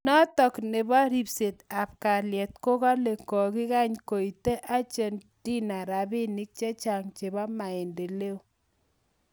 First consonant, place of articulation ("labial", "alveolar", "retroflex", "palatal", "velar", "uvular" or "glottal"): alveolar